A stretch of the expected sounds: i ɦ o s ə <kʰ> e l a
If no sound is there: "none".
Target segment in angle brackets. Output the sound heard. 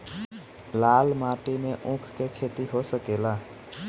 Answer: k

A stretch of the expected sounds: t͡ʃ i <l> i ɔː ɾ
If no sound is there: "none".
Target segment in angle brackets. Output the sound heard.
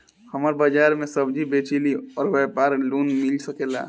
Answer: l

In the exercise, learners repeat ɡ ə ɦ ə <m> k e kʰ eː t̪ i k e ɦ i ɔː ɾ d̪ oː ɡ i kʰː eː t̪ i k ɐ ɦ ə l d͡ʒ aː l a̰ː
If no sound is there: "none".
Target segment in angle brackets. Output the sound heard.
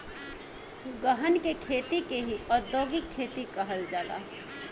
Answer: n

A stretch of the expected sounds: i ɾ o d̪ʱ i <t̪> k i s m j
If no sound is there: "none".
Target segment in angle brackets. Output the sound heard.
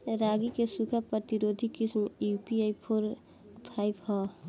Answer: none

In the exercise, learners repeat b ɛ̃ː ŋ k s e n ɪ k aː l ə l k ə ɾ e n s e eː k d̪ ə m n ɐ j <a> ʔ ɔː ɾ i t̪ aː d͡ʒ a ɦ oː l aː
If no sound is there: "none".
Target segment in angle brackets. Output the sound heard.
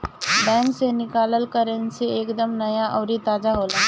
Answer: a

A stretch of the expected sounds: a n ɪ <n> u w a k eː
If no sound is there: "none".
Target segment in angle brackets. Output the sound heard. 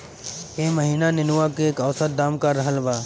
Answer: n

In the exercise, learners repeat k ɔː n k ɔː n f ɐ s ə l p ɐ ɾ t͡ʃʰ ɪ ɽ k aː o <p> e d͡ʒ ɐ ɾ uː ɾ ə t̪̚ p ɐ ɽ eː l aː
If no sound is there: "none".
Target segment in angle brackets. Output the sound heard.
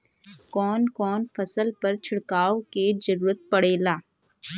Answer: k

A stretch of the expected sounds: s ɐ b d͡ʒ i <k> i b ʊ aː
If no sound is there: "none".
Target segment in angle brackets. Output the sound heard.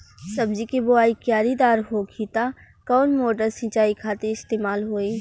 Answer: k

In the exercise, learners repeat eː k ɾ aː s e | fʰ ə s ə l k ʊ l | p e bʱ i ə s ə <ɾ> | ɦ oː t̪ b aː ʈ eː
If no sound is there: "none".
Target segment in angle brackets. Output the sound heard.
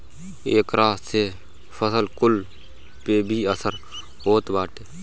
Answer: ɾ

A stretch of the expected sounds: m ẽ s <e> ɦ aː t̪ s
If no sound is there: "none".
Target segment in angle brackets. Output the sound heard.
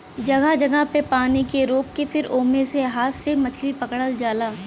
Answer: e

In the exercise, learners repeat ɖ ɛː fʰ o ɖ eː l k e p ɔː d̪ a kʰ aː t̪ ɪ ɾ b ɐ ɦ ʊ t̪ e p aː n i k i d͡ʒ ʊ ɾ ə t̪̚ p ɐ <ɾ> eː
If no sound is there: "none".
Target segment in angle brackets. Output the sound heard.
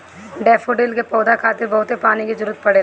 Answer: ɽ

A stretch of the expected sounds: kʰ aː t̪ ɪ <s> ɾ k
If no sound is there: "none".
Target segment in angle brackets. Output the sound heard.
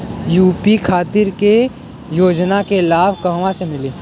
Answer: none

